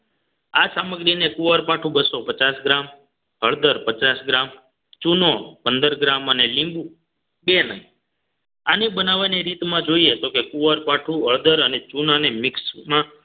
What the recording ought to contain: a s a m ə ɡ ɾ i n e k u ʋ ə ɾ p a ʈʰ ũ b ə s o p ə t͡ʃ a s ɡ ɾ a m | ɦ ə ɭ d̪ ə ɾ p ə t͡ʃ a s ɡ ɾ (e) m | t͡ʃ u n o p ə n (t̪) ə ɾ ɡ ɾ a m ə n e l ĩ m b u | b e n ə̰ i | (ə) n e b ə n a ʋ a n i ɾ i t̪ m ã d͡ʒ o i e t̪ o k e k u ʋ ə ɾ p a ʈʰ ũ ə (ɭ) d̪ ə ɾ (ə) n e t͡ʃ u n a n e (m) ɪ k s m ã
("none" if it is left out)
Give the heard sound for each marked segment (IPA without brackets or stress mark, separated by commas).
a, d̪, a, ɭ, ə, m